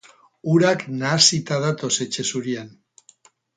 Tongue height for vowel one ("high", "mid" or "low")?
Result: high